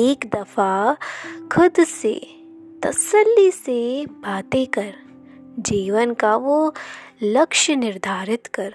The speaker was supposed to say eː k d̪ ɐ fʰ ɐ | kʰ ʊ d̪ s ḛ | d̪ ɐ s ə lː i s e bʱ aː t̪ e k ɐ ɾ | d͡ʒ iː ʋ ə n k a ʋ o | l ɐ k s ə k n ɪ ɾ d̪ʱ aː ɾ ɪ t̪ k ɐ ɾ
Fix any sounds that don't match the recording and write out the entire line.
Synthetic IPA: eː k d̪ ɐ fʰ a | kʰ ʊ d̪ s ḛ | t̪ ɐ s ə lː i s e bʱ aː t̪ e k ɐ ɾ | d͡ʒ iː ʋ ə n k a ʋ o | l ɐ k ʃ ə n ɪ ɾ d̪ʱ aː ɾ ɪ t̪ k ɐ ɾ